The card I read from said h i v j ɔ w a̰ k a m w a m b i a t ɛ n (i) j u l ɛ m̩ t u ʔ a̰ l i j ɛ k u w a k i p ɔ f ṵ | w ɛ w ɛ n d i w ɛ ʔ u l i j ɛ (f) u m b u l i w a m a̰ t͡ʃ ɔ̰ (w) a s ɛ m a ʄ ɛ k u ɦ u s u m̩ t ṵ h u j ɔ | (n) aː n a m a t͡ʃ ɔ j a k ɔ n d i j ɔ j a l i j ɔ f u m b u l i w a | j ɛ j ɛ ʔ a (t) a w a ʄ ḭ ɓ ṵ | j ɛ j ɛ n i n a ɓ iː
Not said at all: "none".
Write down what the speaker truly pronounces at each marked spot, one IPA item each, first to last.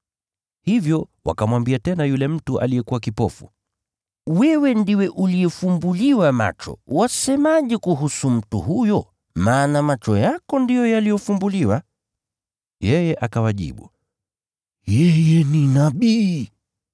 a, f, w, m, k

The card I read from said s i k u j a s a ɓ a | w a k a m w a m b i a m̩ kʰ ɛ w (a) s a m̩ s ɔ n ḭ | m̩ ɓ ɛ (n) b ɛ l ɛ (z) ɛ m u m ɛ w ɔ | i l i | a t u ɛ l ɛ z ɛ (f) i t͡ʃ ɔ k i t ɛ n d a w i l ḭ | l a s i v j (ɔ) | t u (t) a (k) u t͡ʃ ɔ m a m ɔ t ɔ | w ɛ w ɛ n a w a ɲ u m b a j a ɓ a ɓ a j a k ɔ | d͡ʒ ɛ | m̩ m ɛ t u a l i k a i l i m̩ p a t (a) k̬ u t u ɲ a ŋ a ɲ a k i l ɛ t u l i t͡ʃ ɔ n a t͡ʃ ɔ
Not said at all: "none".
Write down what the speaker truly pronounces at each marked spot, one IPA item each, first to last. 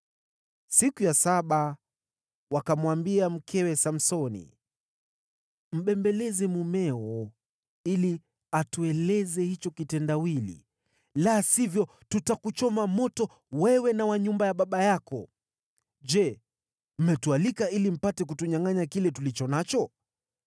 ɛ, m, z, h, ɔ, t, k, ɛ

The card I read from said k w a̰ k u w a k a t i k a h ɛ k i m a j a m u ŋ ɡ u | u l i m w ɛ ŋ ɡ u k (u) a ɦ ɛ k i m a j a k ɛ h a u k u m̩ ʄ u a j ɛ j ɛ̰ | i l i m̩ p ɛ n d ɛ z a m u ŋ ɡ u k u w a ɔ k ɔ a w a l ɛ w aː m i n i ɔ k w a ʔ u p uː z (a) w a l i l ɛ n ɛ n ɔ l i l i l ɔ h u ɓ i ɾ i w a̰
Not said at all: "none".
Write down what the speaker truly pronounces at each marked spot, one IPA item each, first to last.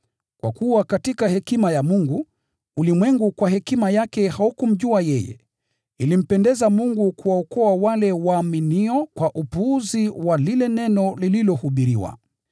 w, i

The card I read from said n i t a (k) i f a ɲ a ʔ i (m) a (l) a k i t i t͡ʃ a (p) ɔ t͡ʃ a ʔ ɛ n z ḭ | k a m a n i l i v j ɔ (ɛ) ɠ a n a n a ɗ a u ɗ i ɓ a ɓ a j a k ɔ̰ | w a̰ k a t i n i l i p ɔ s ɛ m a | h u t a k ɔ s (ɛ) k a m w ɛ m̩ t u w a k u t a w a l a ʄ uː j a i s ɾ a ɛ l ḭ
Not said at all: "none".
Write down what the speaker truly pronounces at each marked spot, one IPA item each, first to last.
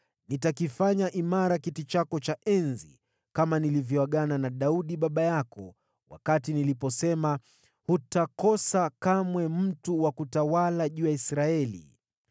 k, m, ɾ, k, a, a

